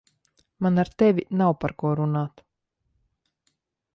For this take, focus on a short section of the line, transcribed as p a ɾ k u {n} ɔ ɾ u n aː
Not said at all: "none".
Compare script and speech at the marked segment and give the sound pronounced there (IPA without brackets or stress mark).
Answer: none